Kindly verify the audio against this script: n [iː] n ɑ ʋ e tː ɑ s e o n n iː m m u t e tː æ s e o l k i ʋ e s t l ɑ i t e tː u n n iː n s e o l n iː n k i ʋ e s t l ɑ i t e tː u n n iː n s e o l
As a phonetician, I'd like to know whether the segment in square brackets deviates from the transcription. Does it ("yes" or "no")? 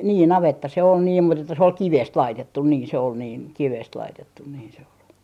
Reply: no